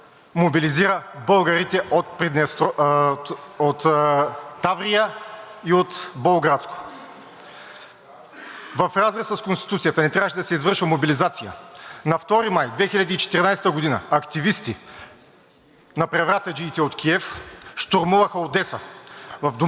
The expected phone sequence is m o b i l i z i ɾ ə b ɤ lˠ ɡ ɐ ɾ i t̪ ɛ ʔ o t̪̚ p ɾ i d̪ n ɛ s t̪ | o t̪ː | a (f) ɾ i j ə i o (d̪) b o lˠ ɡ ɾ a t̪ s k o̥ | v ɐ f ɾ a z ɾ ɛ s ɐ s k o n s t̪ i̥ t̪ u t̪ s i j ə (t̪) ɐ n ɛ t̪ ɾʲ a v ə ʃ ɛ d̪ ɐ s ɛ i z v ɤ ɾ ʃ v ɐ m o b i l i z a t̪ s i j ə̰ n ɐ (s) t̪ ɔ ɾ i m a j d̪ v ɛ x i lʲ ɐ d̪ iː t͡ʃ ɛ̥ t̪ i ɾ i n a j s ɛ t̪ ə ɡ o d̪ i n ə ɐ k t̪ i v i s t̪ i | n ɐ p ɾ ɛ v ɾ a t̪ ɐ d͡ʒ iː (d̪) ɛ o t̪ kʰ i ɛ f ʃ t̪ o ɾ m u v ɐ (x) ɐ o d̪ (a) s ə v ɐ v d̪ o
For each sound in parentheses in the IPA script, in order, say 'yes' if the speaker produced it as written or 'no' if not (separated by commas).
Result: no, no, yes, no, no, yes, no